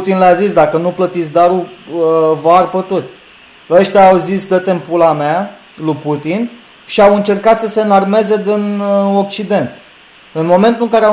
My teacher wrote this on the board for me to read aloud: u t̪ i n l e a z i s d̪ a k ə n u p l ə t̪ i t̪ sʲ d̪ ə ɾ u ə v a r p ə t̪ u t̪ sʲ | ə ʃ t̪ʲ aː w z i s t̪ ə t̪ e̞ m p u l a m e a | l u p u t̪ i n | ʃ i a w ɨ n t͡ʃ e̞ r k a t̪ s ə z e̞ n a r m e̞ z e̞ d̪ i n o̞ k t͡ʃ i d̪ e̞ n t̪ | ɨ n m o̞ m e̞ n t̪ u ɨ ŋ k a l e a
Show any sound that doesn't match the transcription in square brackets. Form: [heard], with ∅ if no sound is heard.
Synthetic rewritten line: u t̪ i n l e a z i s d̪ a k ə n u p l ə t̪ i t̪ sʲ d̪ [a] ɾ u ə v a r p ə t̪ u t̪ sʲ | ə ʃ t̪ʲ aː w z i s [d̪] ə t̪ e̞ m p u l a m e a | l u p u t̪ i n | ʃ i a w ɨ n t͡ʃ e̞ r k a t̪ s ə [s] e̞ n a r m e̞ z e̞ d̪ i n o̞ k t͡ʃ i d̪ e̞ n t̪ | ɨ n m o̞ m e̞ n t̪ u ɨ ŋ k a [ɾ] e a